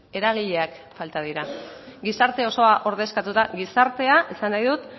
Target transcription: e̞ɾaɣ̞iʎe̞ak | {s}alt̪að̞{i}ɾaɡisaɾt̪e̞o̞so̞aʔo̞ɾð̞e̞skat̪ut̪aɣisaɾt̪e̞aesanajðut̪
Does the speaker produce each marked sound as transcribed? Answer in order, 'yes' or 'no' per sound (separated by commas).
no, yes